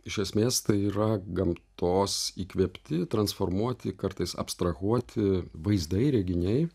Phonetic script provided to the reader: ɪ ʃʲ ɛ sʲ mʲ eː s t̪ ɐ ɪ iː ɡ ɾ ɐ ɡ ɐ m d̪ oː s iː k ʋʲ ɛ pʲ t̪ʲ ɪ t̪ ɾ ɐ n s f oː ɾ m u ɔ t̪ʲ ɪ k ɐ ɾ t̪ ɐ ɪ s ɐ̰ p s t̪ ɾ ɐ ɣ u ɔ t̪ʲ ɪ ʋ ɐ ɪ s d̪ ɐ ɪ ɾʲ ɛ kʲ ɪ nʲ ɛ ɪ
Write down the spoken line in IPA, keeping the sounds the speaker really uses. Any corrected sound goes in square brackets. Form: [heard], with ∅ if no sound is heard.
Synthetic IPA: ɪ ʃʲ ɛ sʲ mʲ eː s t̪ ɐ ɪ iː [∅] ɾ ɐ ɡ ɐ m [t̪] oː s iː k ʋʲ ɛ pʲ t̪ʲ ɪ t̪ ɾ ɐ n s f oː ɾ m u ɔ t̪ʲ ɪ k ɐ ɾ t̪ ɐ ɪ s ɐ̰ p s t̪ ɾ ɐ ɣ u ɔ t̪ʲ ɪ ʋ ɐ ɪ [z] d̪ ɐ ɪ ɾʲ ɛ [ɡʲ] ɪ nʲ ɛ ɪ